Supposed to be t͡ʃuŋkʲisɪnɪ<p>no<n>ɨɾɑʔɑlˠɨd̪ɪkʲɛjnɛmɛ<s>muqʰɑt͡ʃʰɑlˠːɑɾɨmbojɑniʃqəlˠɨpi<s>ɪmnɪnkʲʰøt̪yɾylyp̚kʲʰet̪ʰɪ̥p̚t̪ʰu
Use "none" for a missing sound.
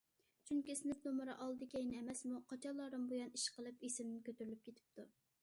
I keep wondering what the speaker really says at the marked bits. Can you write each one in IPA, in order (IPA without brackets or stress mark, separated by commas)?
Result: p, m, s, s